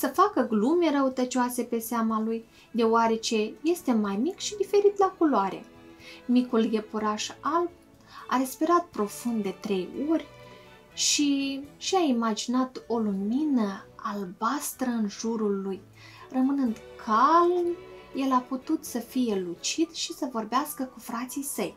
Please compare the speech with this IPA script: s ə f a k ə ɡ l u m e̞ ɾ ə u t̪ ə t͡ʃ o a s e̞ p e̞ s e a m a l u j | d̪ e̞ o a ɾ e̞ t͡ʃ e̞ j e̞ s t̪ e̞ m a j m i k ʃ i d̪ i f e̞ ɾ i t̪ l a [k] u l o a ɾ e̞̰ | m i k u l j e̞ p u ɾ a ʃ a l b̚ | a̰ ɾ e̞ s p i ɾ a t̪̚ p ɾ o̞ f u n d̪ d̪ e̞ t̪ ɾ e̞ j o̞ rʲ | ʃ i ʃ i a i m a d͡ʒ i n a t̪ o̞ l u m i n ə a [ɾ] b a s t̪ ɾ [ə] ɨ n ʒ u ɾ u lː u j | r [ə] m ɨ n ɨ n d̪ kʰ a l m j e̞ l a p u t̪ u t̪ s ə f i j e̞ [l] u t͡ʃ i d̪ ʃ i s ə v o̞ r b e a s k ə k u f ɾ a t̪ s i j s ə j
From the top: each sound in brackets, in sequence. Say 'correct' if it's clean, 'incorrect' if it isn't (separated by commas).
correct, incorrect, correct, correct, correct